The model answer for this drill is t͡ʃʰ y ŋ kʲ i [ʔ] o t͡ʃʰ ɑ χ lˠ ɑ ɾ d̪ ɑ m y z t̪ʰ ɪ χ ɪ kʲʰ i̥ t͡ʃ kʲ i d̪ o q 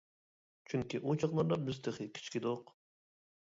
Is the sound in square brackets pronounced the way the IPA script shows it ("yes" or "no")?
yes